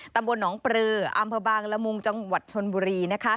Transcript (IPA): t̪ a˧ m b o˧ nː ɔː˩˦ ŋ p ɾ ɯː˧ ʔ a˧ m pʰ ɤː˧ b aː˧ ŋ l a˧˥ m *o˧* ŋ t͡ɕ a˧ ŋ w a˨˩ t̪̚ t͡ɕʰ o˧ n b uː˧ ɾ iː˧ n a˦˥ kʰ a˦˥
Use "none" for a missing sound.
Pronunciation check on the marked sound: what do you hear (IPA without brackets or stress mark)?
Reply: u˧